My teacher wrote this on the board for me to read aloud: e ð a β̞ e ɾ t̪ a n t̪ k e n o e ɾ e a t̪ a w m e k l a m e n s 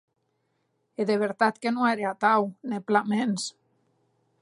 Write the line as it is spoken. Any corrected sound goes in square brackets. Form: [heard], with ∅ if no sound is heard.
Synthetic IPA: e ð [e] β̞ e ɾ t̪ a [∅] t̪ k e n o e ɾ e a t̪ a w [n] e [p] l a m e n s